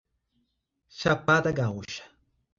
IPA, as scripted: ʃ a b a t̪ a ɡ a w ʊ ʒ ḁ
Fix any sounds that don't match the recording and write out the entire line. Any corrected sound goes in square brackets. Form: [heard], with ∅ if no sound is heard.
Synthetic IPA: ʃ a [p] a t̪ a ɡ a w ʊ [ʃ] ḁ